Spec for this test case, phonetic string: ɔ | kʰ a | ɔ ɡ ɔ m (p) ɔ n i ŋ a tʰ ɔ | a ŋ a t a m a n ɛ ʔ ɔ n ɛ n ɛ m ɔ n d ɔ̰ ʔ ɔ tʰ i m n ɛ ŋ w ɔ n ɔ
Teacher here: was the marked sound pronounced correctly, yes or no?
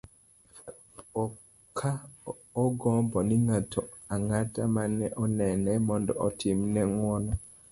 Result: no